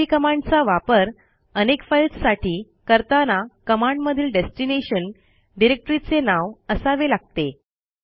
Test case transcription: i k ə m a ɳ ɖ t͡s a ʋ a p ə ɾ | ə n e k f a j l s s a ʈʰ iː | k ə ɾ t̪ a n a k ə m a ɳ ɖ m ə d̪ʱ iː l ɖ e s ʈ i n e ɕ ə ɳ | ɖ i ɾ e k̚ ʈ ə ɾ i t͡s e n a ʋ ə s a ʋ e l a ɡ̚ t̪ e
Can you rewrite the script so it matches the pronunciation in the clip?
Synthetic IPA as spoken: i k ə m a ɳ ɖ t͡s a ʋ a p ə ɾ | ə n e k f a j l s s a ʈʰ iː | k ə ɾ t̪ a n a k ə m a ɳ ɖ m ə d̪ʱ iː l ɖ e s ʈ i n e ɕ ə n | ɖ i ɾ e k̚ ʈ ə ɾ i t͡s e n a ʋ ə s a ʋ e l a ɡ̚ t̪ e